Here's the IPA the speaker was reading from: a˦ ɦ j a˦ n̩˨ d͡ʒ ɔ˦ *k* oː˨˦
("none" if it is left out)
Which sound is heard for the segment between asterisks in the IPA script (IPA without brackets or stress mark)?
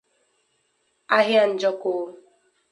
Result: k